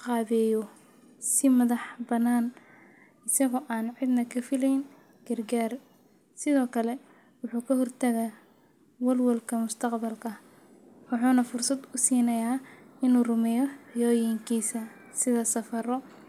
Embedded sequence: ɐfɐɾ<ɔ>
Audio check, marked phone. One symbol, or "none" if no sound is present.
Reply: ɔ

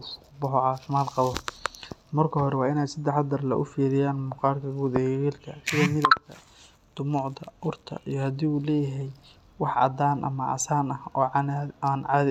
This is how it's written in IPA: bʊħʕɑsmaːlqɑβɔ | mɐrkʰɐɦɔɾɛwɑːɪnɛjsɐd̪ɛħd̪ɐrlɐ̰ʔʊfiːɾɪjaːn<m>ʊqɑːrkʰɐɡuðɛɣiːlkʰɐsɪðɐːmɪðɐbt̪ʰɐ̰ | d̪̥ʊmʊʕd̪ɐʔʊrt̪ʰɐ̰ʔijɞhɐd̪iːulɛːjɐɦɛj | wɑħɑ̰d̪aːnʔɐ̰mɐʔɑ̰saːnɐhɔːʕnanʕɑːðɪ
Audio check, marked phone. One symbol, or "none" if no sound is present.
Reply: m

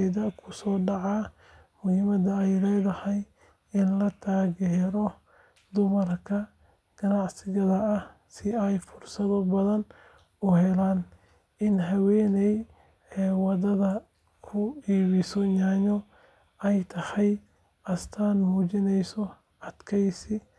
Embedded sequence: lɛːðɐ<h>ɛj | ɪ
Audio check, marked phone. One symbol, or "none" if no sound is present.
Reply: h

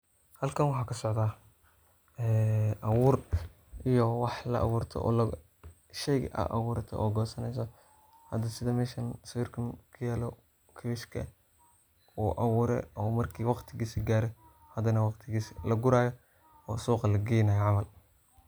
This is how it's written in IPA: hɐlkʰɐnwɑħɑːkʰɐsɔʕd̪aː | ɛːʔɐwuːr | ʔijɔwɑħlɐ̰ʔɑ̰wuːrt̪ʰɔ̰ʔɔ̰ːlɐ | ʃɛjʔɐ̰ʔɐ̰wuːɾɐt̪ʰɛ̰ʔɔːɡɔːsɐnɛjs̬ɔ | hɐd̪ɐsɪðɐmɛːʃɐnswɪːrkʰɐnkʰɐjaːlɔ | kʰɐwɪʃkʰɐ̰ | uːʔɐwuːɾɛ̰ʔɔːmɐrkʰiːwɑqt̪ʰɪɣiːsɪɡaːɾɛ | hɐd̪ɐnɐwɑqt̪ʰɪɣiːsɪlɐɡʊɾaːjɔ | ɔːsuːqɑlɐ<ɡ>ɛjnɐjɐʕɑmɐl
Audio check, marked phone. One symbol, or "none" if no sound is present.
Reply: ɡ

